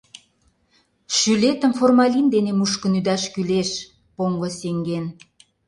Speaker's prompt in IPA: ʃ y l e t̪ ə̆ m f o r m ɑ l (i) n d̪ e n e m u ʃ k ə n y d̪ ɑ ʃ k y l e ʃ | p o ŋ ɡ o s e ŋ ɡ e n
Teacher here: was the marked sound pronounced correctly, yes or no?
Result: yes